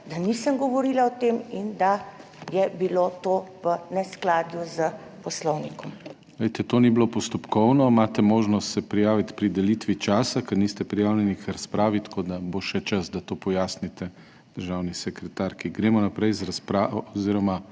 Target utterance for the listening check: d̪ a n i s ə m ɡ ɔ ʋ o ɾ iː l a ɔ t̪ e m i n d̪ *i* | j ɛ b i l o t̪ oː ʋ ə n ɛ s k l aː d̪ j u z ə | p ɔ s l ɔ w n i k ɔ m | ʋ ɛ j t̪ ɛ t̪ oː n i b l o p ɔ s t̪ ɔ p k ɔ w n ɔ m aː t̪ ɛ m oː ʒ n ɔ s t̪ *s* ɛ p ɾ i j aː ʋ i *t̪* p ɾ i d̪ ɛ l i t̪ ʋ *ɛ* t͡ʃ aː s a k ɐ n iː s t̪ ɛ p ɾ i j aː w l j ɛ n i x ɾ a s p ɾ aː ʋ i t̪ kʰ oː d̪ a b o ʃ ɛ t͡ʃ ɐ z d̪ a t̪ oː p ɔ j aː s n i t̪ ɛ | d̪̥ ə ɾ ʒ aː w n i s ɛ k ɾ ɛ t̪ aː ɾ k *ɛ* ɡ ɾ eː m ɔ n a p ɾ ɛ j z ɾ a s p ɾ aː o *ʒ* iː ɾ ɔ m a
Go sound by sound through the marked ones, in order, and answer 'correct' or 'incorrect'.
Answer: incorrect: a, correct, correct, incorrect: i, incorrect: i, incorrect: z

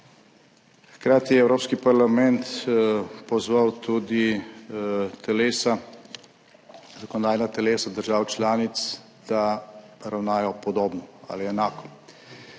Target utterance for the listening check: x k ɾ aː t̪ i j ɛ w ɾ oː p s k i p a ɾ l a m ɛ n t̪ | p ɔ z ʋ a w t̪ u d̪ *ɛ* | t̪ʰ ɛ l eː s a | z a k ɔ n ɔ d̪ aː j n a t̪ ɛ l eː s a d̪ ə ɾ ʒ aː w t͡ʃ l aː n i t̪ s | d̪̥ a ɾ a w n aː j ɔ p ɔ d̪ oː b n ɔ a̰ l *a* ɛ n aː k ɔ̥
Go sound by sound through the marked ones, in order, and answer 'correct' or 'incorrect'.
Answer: incorrect: i, incorrect: i

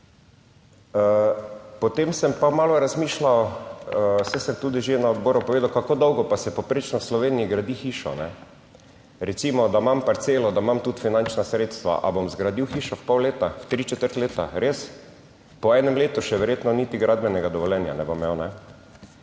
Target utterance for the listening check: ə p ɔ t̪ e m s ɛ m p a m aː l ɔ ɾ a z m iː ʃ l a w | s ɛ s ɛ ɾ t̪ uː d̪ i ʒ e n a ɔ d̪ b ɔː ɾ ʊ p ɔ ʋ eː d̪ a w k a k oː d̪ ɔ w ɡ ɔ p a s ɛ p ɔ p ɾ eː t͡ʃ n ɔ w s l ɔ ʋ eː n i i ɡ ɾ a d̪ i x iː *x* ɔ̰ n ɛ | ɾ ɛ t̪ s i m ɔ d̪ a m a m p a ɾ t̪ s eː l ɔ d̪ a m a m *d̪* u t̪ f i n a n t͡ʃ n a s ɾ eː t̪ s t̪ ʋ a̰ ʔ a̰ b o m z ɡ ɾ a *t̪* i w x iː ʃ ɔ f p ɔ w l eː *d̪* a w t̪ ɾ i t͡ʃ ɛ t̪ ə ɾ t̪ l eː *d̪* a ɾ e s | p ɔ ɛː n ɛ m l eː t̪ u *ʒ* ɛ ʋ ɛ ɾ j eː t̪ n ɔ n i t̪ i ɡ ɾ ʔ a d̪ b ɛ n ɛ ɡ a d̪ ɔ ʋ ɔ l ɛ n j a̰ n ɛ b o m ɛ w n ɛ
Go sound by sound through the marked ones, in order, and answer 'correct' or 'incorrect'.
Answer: incorrect: ʃ, incorrect: t̪, incorrect: d̪, incorrect: t̪, incorrect: t̪, incorrect: ʃ

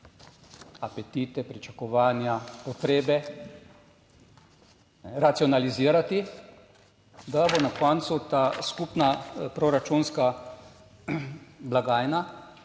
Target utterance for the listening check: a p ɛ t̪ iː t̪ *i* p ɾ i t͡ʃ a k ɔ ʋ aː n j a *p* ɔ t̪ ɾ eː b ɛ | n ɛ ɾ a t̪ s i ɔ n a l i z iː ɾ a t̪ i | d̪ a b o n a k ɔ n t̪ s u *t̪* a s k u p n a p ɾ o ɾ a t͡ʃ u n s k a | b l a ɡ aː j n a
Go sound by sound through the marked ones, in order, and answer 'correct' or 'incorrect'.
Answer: incorrect: ɛ, correct, correct

